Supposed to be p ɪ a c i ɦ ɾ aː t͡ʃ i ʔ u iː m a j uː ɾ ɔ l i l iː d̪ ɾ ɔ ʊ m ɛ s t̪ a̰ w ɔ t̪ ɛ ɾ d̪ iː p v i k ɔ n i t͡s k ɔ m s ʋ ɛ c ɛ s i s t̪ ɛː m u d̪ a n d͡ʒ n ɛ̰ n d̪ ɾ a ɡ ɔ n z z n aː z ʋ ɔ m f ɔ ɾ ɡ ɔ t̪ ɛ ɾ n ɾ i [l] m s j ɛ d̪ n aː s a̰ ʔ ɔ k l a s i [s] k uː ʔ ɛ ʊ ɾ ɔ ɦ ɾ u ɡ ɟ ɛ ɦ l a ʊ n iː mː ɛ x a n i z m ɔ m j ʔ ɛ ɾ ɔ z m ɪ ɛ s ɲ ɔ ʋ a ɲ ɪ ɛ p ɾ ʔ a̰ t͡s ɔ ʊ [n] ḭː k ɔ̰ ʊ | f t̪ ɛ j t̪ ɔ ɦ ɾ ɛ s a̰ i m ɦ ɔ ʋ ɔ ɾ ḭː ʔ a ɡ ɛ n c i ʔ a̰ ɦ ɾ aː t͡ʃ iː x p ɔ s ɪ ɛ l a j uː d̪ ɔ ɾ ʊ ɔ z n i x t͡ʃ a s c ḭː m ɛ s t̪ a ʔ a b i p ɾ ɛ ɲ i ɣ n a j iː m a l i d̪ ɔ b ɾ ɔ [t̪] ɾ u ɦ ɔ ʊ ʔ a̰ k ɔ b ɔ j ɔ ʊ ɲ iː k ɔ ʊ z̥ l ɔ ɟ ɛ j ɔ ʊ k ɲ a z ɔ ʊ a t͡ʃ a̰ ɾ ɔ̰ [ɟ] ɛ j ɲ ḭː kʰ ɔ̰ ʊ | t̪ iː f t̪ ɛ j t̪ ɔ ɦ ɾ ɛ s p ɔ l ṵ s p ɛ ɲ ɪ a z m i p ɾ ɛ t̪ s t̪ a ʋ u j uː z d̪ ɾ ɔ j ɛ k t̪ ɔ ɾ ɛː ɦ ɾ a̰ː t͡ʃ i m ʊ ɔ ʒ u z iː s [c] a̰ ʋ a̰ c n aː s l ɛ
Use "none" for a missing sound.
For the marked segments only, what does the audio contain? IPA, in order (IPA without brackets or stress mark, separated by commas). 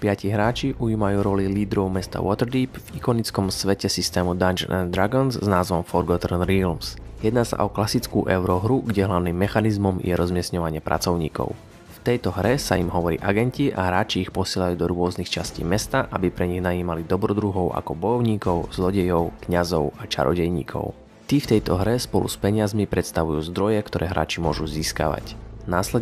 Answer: l, t͡s, ɲ, d̪, ɟ, k